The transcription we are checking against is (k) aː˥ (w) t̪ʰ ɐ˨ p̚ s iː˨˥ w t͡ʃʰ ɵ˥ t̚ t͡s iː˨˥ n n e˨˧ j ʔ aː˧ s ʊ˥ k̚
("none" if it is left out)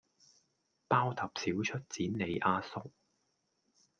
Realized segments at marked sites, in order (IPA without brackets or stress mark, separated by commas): p, w